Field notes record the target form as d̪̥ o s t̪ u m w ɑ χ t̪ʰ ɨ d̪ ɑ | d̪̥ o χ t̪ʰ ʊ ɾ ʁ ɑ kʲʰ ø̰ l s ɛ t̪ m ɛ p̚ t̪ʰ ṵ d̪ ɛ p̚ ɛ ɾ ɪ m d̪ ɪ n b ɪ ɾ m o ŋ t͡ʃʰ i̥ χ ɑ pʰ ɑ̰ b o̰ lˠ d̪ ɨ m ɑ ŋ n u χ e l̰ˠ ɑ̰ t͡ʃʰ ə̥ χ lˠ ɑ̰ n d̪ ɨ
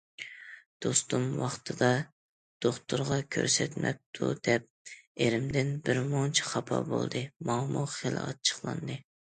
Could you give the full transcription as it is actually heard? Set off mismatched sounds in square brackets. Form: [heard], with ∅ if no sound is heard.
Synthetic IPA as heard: d̪̥ o s t̪ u m w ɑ χ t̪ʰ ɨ d̪ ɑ | d̪̥ o χ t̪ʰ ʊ ɾ ʁ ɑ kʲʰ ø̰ [ɾ] s ɛ t̪ m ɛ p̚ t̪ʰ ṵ d̪ ɛ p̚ [e] ɾ ɪ m d̪ ɪ n b ɪ ɾ m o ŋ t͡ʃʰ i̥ χ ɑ pʰ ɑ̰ b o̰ lˠ d̪ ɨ m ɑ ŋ [m] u χ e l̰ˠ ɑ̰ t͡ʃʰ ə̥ χ lˠ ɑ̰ n d̪ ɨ